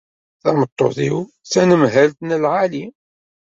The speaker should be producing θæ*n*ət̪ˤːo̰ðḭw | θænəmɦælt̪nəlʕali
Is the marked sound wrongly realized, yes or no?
yes